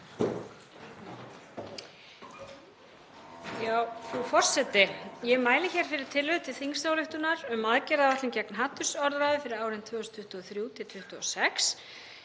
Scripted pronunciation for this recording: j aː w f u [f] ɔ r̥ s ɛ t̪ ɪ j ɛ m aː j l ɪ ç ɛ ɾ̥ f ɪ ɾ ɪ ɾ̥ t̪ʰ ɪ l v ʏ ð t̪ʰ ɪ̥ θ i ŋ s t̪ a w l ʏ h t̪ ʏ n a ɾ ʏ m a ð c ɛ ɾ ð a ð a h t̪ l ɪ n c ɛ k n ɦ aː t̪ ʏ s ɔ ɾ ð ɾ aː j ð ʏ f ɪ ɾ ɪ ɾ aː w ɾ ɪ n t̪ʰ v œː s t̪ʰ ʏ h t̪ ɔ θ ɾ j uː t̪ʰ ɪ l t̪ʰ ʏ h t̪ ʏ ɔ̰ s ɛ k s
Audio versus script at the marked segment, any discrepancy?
no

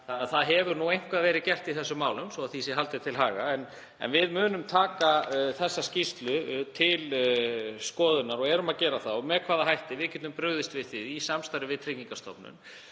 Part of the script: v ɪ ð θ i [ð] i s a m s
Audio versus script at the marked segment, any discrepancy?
no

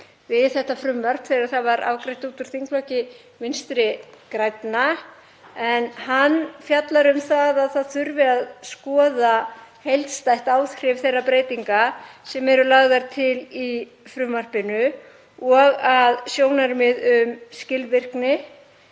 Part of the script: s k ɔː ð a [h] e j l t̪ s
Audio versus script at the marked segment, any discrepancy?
no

